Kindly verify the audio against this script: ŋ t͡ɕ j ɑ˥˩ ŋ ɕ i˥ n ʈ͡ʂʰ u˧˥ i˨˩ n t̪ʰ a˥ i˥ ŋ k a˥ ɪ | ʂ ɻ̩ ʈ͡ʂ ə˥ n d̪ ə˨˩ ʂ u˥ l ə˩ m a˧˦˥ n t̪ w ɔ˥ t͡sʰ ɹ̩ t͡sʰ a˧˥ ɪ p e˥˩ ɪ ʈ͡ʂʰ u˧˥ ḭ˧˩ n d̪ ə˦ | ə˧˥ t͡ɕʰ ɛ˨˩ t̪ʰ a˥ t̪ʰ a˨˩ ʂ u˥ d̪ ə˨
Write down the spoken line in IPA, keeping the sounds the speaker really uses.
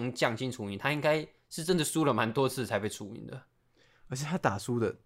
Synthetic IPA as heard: ŋ t͡ɕ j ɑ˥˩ ŋ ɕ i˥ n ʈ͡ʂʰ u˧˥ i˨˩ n t̪ʰ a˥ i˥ ŋ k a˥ ɪ | ʂ ɻ̩ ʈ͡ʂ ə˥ n d̪ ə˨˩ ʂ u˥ l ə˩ m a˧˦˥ n t̪ w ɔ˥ t͡sʰ ɹ̩ t͡sʰ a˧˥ ɪ p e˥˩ ɪ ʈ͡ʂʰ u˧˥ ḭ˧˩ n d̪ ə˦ | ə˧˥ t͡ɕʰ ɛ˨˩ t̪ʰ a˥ t̪ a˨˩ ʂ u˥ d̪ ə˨